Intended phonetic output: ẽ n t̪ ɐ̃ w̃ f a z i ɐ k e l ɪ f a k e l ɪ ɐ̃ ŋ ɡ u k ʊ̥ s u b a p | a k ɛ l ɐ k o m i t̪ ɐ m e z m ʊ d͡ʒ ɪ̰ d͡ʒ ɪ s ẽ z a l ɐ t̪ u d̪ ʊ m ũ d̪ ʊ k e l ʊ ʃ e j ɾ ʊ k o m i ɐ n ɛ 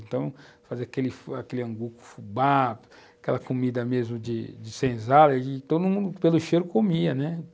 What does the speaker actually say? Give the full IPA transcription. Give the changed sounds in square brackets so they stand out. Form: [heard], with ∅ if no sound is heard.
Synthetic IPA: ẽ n t̪ ɐ̃ w̃ f a z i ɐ k e l ɪ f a k e l ɪ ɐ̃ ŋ ɡ u k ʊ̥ [f] u b a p | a k ɛ l ɐ k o m i [d̪] ɐ m e z m ʊ d͡ʒ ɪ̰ d͡ʒ ɪ s ẽ z a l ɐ t̪ [o] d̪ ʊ m ũ d̪ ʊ [p] e l ʊ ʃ e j ɾ ʊ k o m i ɐ n ɛ